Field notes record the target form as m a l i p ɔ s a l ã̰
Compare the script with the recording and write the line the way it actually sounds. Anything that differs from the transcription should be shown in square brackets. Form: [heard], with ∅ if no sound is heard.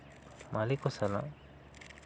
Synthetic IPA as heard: m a l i [k] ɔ s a l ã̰